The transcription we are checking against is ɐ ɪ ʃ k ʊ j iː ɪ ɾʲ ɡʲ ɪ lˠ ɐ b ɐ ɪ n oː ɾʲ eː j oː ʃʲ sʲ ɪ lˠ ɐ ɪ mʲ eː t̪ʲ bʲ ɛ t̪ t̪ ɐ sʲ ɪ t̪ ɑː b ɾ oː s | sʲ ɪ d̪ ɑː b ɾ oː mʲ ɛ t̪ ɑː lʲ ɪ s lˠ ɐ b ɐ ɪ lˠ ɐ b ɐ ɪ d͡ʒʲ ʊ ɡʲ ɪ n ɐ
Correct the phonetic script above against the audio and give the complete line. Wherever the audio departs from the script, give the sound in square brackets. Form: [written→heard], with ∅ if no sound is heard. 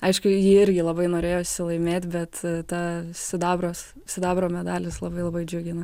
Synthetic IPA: ɐ ɪ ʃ k ʊ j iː ɪ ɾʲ ɡʲ ɪ lˠ ɐ b ɐ ɪ n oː ɾʲ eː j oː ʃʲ sʲ ɪ lˠ ɐ ɪ mʲ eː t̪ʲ bʲ ɛ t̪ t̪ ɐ sʲ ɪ [t̪→d̪] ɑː b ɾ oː s | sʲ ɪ d̪ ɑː b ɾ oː mʲ ɛ [t̪→d̪] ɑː lʲ ɪ s lˠ ɐ b ɐ ɪ lˠ ɐ b ɐ ɪ d͡ʒʲ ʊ ɡʲ ɪ n ɐ